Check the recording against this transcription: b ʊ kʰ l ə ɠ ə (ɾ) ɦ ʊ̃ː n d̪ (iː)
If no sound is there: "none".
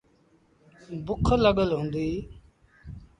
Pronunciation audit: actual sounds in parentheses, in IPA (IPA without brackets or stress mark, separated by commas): l, iː